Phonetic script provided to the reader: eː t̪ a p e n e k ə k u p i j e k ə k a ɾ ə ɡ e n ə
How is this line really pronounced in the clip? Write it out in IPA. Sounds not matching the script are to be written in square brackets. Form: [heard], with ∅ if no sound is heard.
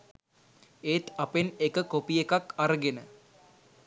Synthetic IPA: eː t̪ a p e n e k ə k [o] p i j e k [a] k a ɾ ə ɡ e n ə